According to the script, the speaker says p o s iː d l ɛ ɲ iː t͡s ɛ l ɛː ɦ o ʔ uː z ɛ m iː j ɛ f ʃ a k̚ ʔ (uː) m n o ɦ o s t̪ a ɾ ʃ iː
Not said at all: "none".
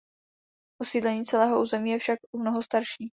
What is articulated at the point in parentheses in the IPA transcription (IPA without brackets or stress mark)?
u